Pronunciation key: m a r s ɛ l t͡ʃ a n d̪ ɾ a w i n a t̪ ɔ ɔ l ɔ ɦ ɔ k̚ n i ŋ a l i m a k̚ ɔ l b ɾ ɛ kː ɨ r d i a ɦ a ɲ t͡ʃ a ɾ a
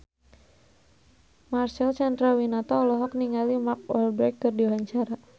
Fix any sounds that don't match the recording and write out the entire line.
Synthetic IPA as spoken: m a r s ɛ l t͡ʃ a n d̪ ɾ a w i n a t̪ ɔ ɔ l ɔ ɦ ɔ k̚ n i ŋ a l i m a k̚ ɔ l b ɾ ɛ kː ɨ r d i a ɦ a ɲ t͡ʃ a ɾ a